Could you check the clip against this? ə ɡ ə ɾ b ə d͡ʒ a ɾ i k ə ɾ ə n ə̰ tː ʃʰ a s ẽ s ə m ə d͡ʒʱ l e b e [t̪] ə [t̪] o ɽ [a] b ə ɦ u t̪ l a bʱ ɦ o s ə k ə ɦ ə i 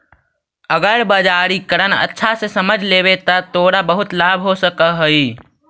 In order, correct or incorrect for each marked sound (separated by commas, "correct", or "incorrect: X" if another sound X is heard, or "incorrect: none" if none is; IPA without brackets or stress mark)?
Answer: correct, correct, correct